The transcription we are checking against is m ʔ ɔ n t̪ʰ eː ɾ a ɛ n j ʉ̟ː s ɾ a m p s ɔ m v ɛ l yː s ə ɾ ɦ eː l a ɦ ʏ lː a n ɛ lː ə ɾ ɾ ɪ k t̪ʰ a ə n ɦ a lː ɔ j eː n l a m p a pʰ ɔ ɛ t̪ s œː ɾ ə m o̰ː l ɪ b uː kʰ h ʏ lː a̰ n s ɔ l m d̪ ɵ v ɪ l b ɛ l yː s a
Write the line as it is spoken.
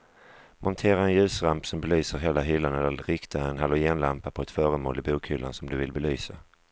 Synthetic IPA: m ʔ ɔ n t̪ʰ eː ɾ a ɛ n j ʉ̟ː s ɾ a m p s ɔ m b ɛ l yː s ə ɾ ɦ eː l a ɦ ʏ lː a n ɛ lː ə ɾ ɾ ɪ k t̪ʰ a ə n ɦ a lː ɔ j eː n l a m p a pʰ ɔ ɛ t̪ f œː ɾ ə m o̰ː l ɪ b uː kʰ h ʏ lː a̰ n s ɔ m d̪ ɵ v ɪ l b ɛ l yː s a

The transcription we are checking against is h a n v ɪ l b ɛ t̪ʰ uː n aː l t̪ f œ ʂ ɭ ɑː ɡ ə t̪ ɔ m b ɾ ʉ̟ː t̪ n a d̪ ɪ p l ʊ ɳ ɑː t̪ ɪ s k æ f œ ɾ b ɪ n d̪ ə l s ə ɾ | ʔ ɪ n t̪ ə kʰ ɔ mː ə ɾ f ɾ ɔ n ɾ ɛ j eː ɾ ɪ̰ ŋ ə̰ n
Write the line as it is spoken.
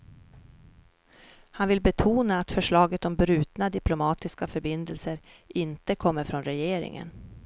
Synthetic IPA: h a n v ɪ l b ɛ t̪ʰ uː n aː t̪ f œ ʂ ɭ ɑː ɡ ə t̪ ɔ m b ɾ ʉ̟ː t̪ n a d̪ ɪ p l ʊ m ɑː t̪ ɪ s k a f œ ɾ b ɪ n d̪ ə l s ə ɾ | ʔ ɪ n t̪ ə kʰ ɔ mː ə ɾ f ɾ ɔ n ɾ ɛ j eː ɾ ɪ̰ ŋ ə̰ n

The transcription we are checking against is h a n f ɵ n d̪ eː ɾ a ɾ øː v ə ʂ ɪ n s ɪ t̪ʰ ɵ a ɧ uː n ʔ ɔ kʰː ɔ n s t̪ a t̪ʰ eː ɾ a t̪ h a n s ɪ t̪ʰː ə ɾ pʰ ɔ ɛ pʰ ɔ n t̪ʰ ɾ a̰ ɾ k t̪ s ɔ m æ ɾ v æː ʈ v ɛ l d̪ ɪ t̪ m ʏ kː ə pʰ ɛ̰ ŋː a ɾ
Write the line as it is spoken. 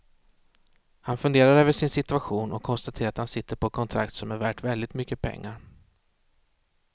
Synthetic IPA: h a n f ɵ n d̪ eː ɾ a ɾ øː v ə ʂ ɪ n s ɪ t̪ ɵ a ɧ uː n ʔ ɔ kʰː ɔ n s t̪ a t̪ʰ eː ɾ a t̪ h a n s ɪ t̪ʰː ə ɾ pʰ ɔ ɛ kʰ ɔ n t̪ʰ ɾ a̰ k t̪ s ɔ m æ ɾ v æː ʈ v ɛ l d̪ ɪ t̪ m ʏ kː ə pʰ ɛ̰ ŋː a ɾ

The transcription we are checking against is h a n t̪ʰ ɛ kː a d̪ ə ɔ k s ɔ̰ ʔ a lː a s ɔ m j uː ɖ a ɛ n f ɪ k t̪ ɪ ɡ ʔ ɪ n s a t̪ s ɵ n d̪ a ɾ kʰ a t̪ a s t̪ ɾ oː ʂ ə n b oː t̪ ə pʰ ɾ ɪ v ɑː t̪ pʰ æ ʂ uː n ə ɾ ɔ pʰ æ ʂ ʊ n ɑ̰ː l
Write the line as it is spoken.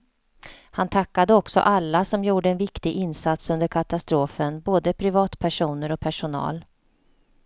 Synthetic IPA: h a n t̪ʰ a kː a d̪ ə ɔ k s ɔ̰ ʔ a lː a s ɔ m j uː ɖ ə ɛ n v ɪ k t̪ ɪ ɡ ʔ ɪ n s a t̪ s ɵ n d̪ ə ɾ kʰ a t̪ a s t̪ ɾ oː f ə n b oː d̪ ə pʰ ɾ ɪ v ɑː t̪ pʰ æ ʂ uː n ə ɾ ɔ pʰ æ ʂ ʊ n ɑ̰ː l

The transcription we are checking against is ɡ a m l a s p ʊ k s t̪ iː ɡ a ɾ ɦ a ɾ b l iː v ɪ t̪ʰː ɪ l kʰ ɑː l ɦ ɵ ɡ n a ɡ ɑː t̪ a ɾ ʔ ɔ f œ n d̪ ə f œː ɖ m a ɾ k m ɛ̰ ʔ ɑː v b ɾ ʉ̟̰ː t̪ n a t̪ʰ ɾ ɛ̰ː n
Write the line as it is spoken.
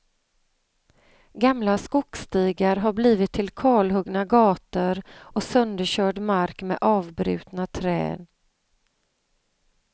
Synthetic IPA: ɡ a m l a s k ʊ k s t̪ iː ɡ a ɾ ɦ a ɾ b l iː v ɪ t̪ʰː ɪ l kʰ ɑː l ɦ ɵ ɡ n a ɡ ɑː t̪ ə ɾ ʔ ɔ s œ n d̪ ə ɕ œː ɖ m a ɾ k m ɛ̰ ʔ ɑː v b ɾ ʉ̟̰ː t̪ n a t̪ʰ ɾ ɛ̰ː n

